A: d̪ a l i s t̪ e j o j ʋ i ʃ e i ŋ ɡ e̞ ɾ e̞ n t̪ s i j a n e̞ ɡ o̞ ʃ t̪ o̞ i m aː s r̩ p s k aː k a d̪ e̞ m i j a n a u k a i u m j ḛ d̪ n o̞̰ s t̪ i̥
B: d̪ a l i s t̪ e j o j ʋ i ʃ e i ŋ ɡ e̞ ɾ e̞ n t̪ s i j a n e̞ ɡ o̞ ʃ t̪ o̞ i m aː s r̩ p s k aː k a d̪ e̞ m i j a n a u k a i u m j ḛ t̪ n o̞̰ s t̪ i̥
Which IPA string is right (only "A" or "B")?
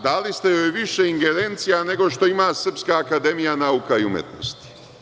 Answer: B